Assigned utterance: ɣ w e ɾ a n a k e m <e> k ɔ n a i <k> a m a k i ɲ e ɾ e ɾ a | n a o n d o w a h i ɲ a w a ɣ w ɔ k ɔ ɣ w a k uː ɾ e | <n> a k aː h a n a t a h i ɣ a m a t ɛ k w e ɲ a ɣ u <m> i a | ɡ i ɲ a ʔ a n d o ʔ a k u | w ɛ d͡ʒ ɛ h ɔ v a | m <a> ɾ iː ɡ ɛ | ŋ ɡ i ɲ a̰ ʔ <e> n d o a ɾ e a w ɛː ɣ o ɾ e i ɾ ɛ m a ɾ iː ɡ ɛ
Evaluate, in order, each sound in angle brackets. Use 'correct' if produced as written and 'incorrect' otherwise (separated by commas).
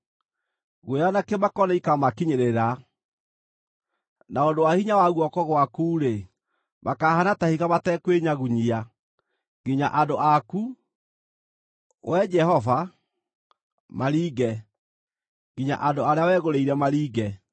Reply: incorrect, correct, incorrect, incorrect, correct, incorrect